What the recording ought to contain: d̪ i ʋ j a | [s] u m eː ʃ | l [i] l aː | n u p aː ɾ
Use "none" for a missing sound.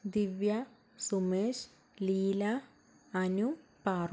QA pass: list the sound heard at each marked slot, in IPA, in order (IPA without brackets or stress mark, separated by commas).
s, iː